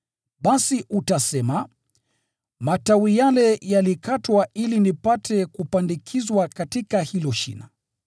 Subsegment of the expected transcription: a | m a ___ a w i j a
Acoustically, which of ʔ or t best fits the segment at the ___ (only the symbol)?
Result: t